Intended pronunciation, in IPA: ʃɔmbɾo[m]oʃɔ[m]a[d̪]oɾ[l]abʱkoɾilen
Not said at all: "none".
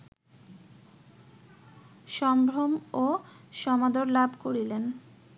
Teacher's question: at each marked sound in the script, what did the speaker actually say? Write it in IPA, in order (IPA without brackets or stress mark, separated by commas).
m, m, d̪, l